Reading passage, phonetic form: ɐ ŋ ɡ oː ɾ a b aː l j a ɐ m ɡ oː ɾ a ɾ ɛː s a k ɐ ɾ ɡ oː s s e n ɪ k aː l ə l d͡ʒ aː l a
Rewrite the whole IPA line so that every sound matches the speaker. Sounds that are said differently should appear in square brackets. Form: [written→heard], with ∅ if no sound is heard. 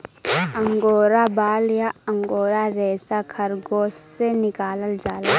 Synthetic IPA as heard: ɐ ŋ ɡ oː ɾ a b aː l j a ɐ [m→ŋ] ɡ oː ɾ a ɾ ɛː s a [k→kʰ] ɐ ɾ ɡ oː s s e n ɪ k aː l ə l d͡ʒ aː l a